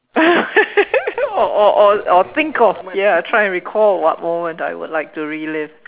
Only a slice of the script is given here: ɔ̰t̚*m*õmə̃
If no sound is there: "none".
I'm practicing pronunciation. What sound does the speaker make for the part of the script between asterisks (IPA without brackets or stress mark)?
m